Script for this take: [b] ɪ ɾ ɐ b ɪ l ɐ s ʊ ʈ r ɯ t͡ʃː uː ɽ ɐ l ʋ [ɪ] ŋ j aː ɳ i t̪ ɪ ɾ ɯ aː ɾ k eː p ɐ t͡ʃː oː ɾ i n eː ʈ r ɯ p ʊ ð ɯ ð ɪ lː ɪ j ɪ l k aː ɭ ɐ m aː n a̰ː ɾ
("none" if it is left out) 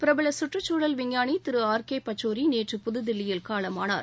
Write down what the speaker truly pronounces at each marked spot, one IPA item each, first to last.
p, ɪ

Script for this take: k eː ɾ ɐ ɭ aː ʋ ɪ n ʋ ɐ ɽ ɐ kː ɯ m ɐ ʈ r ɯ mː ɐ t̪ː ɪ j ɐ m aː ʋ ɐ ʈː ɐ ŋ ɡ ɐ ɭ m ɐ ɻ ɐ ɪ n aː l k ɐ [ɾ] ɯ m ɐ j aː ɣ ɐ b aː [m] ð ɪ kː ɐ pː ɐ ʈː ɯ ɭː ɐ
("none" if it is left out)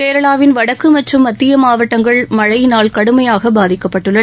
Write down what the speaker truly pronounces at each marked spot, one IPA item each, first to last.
ɽ, none

